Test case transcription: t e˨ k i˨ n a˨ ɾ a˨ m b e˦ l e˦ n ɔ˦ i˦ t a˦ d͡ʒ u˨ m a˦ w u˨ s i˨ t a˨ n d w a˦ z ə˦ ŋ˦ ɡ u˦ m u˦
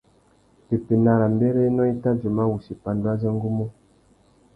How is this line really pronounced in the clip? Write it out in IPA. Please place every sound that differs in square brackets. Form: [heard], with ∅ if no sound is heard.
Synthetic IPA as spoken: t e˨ [p] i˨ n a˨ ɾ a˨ m b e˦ [ɾ] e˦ n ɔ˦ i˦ t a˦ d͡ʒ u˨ m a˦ w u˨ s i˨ [p] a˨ n d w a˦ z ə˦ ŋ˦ ɡ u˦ m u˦